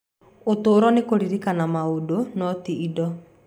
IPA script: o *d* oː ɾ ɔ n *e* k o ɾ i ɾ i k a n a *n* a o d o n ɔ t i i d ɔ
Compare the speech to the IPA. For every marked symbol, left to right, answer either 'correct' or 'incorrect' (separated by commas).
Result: incorrect, correct, incorrect